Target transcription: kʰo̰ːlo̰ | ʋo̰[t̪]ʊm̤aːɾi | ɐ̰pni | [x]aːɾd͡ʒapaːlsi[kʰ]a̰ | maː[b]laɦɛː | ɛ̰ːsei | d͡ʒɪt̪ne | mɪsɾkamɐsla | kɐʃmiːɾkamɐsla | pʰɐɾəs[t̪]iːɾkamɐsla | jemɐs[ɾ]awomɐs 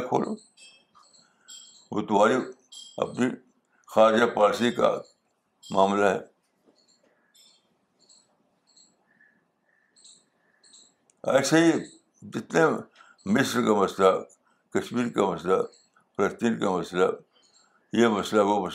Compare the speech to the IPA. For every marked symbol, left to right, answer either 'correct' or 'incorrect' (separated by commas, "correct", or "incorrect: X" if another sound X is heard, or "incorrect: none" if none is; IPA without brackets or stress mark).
correct, correct, incorrect: k, incorrect: m, correct, incorrect: l